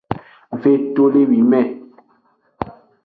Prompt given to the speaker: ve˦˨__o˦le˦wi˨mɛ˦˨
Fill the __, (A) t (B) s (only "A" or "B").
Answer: A